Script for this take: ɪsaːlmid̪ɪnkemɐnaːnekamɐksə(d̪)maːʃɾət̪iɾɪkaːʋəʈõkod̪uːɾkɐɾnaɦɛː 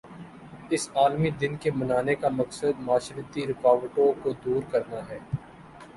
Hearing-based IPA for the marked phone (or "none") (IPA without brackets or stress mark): d̪